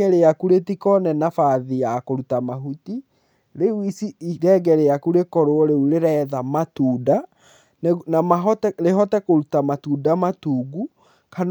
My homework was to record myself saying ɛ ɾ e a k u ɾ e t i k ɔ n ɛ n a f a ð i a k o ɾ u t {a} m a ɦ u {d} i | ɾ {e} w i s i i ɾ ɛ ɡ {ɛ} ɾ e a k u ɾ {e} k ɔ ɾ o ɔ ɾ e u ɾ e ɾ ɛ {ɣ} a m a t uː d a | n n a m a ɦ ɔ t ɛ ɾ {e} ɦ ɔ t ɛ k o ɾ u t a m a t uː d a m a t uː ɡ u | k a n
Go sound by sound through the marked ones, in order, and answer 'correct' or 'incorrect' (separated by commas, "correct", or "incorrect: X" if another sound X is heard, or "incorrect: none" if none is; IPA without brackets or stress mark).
correct, incorrect: t, correct, correct, correct, incorrect: ð, correct